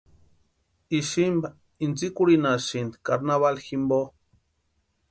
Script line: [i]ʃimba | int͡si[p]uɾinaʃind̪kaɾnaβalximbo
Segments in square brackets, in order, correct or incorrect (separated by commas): correct, incorrect